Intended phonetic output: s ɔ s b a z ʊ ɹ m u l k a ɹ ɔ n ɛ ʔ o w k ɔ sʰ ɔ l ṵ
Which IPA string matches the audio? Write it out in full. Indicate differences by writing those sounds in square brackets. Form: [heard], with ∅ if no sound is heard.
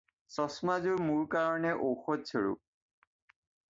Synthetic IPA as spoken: s ɔ s [m] a z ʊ ɹ m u [ɹ] k a ɹ ɔ n ɛ ʔ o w [x] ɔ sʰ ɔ [ɹ] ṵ